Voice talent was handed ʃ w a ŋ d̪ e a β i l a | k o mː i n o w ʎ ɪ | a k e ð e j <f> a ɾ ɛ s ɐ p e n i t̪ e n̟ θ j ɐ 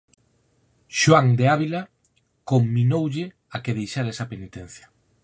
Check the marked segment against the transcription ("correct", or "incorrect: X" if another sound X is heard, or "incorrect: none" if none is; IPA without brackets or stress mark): incorrect: ʃ